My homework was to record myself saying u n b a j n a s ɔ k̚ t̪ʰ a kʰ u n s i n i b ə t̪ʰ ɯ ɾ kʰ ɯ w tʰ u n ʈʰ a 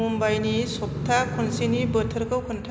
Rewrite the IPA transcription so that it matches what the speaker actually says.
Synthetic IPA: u m b a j n i s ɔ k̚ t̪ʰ a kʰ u n s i n i b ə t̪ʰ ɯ ɾ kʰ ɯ w kʰ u n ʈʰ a